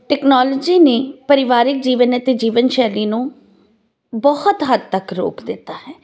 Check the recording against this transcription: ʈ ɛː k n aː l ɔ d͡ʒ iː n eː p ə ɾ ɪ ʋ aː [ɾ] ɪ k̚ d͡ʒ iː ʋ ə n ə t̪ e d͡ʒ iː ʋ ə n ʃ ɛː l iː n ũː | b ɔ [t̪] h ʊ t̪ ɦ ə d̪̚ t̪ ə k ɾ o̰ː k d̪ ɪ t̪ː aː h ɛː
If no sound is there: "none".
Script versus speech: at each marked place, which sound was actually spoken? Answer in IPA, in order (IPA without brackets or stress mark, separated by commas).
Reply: ɾ, none